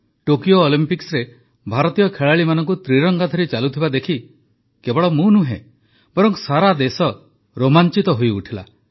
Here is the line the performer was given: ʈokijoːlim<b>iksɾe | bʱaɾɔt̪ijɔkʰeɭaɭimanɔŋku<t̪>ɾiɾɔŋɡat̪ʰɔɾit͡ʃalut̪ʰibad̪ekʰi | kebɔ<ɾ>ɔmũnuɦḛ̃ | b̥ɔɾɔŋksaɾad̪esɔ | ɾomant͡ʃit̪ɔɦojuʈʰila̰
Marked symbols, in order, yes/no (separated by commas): no, yes, no